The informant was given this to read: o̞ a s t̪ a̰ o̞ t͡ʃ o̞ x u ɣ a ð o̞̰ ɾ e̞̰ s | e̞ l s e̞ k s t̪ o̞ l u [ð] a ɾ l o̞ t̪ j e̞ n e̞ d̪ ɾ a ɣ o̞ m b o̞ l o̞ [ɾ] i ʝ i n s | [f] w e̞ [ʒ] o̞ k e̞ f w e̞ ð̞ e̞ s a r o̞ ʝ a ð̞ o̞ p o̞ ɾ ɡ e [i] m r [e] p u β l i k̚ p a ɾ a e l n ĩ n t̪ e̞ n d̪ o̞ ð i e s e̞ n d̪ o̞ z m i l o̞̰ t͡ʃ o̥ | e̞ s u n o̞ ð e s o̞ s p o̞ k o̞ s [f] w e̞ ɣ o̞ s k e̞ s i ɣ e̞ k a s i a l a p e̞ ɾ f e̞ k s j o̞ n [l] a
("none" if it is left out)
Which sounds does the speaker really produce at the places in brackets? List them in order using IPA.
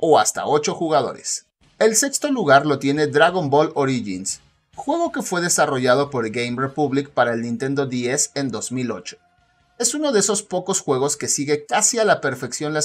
ɣ, ɾ, x, ɣ, j, e, x, l

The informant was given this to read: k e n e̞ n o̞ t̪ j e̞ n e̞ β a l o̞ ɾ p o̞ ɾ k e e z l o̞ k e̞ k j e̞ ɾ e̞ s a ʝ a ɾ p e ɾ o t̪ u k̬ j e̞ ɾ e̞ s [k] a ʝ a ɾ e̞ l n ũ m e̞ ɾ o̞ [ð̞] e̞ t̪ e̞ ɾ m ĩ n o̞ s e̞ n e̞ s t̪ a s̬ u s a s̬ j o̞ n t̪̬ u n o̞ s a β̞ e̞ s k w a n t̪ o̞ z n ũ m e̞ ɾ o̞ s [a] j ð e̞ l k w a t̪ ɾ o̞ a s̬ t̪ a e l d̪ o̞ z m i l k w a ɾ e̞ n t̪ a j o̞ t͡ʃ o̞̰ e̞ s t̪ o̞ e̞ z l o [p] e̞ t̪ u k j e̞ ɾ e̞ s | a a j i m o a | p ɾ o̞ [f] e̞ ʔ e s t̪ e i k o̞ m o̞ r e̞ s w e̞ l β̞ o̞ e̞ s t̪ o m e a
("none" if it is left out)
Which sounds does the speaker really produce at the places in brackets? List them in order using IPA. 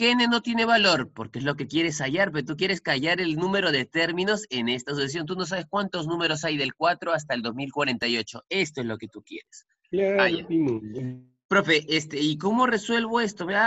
k, ð̞, a, k, f

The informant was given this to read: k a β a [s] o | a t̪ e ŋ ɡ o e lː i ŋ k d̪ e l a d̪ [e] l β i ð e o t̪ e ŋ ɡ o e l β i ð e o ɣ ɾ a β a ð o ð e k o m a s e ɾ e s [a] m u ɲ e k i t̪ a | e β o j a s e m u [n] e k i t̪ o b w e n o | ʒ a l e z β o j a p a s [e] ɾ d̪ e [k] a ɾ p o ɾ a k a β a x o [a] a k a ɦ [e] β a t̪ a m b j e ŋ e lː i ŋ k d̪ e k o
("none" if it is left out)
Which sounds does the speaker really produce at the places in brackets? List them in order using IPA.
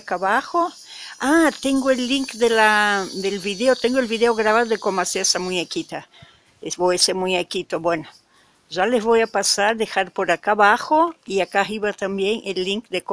x, e, a, ɲ, a, x, i, i

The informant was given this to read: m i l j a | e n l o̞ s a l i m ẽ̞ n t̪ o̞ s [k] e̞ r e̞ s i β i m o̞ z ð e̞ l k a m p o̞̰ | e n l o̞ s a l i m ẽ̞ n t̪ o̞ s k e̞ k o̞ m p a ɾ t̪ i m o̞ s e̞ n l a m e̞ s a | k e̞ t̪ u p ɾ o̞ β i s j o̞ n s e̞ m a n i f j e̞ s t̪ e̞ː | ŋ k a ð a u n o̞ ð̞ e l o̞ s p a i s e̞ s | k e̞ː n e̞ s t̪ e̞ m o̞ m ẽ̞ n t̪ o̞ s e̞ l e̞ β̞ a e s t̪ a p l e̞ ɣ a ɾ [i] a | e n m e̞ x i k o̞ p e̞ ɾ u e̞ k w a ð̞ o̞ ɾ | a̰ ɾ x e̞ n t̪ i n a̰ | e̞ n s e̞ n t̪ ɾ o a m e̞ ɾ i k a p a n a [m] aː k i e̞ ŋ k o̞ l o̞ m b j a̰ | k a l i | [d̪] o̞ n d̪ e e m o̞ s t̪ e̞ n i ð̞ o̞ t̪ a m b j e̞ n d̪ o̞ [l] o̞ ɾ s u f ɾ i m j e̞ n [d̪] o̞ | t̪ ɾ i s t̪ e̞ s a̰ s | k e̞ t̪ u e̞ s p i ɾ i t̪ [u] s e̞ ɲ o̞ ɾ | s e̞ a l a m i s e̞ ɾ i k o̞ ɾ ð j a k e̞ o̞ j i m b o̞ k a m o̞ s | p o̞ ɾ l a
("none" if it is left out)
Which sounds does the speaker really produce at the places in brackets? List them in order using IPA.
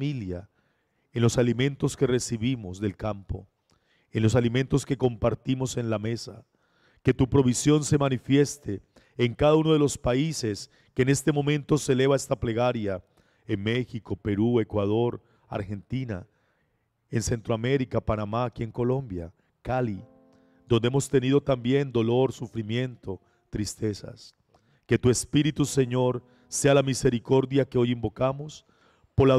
k, j, m, d̪, l, t̪, u

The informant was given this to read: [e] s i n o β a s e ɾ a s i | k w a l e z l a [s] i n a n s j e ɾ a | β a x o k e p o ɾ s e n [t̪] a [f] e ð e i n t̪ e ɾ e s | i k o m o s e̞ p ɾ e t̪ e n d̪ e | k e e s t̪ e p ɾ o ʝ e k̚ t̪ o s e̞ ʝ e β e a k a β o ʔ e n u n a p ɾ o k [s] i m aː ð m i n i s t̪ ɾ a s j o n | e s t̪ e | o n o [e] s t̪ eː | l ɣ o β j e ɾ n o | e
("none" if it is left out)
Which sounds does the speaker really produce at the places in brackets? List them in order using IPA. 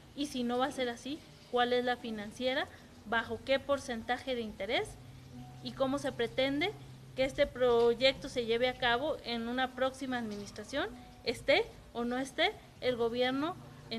i, f, t̪, x, s, e

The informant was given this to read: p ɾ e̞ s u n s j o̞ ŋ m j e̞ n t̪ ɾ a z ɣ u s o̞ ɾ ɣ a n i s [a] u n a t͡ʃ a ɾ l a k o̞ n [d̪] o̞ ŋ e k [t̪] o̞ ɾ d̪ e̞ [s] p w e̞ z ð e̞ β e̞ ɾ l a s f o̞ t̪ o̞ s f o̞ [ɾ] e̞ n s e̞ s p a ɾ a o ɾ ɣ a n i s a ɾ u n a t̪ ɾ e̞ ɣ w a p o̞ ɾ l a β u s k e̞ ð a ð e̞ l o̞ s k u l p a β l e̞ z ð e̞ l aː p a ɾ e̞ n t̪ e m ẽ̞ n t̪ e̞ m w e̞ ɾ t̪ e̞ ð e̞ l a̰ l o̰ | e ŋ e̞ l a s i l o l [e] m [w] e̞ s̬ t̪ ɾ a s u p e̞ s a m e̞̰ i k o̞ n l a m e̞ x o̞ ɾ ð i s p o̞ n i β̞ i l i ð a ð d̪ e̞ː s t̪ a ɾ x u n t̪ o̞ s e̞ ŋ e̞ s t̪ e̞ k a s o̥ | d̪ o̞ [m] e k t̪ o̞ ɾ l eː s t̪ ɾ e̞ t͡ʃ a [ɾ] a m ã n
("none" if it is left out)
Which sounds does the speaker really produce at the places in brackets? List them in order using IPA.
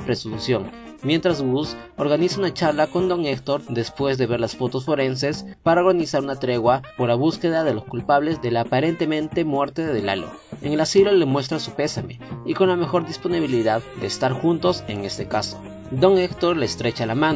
a, d̪, t̪, s, ɾ, e, w, ŋ, l

